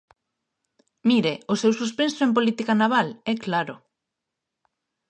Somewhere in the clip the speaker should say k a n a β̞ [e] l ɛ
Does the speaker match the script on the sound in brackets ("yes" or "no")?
no